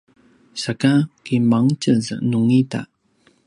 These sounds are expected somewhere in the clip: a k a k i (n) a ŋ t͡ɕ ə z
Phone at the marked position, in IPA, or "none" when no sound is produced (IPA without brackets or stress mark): m